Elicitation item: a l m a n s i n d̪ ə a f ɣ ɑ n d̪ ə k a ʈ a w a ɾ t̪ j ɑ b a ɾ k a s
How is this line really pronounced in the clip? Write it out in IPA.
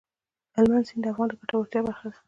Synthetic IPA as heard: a l m a n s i n d̪ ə a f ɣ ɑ n d̪ ə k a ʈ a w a ɾ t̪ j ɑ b a ɾ x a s